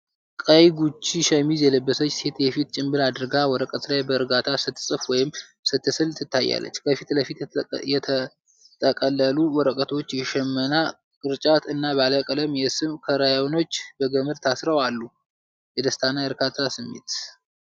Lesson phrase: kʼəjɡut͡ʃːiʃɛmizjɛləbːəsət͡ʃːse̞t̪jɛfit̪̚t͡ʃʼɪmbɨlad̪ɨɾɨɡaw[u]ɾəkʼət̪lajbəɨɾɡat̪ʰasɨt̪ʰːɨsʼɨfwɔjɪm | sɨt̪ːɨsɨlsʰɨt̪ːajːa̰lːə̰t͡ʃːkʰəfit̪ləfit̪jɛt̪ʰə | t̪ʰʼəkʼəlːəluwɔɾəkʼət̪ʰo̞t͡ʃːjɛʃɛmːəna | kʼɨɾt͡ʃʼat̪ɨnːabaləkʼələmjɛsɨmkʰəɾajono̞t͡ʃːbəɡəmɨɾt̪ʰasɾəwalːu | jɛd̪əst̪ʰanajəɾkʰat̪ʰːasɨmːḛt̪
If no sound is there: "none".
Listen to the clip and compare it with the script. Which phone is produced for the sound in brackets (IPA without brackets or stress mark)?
ɔ